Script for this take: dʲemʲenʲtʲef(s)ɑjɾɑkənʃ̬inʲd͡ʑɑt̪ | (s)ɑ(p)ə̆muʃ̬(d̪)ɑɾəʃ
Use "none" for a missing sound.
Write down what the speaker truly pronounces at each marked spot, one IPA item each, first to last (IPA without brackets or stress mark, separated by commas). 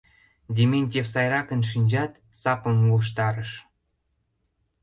s, s, p, t̪